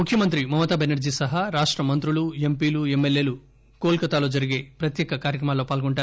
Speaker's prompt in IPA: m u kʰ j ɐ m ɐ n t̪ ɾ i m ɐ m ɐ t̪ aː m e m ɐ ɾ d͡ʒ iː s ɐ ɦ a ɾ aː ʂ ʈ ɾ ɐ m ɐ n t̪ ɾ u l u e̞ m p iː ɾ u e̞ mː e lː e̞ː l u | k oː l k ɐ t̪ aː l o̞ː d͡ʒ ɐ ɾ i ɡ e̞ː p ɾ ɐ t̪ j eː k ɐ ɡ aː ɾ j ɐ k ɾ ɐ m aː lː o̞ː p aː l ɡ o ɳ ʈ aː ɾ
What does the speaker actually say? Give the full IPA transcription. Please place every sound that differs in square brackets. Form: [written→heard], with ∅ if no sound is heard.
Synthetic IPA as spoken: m u kʰ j ɐ m ɐ n t̪ ɾ i m ɐ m ɐ t̪ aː [m→b] e [m→n] ɐ ɾ d͡ʒ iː s ɐ ɦ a ɾ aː ʂ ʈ ɾ ɐ m ɐ n t̪ ɾ u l u e̞ m p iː [ɾ→l] u e̞ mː e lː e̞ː l u | k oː l k ɐ t̪ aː l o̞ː d͡ʒ ɐ ɾ i ɡ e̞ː p ɾ ɐ t̪ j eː k ɐ [ɡ→k] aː ɾ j ɐ k ɾ ɐ m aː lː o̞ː p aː l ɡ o ɳ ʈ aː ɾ